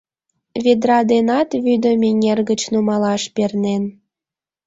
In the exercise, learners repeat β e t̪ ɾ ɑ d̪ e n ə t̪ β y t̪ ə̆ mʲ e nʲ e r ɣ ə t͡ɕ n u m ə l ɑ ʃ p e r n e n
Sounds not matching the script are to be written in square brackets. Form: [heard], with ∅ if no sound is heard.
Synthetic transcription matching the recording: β e [d̪] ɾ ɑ d̪ e n [ɑ] t̪ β y [d̪] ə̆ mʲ e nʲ e r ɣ ə t͡ɕ n u m [ɑ] l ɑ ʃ p e r n e n